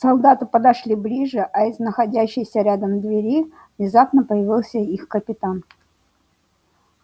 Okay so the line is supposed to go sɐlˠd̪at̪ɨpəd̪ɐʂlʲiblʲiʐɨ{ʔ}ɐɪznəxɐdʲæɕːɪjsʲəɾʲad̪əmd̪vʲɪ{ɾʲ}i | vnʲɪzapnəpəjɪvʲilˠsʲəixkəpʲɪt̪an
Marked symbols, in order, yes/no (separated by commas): yes, yes